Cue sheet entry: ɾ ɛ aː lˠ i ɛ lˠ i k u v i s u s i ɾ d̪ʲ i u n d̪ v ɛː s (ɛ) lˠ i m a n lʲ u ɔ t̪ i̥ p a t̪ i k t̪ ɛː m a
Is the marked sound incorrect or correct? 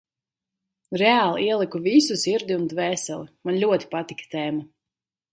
correct